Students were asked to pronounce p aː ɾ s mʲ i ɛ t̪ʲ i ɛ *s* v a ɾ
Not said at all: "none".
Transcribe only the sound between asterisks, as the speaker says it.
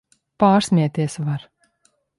s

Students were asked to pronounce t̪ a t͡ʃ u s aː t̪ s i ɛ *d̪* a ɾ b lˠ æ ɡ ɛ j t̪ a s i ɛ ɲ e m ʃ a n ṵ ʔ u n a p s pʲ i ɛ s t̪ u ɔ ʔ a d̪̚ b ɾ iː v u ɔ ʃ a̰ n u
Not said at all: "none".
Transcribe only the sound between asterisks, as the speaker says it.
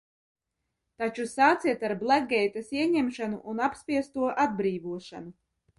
t̪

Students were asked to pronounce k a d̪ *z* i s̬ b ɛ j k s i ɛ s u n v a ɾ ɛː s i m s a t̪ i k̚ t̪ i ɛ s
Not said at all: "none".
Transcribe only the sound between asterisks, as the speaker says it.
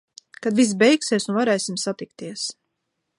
v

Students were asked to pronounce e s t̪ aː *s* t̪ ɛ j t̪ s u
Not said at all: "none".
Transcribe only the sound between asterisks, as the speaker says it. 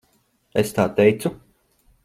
none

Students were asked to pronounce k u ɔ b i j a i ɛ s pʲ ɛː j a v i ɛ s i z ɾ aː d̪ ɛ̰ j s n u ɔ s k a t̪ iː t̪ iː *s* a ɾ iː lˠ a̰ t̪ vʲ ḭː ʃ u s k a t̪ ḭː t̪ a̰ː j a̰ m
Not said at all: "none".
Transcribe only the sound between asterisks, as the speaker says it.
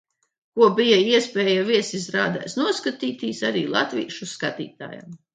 s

